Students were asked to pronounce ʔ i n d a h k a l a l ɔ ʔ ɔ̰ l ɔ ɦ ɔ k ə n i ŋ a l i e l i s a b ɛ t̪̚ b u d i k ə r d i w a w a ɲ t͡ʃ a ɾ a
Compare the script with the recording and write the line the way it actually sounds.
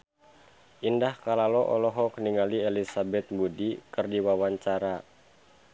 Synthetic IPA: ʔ i n d a h k a l a l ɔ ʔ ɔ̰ l ɔ ɦ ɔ k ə n i ŋ a l i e l i s a b ɛ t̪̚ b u d i k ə r d i w a w a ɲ t͡ʃ a ɾ a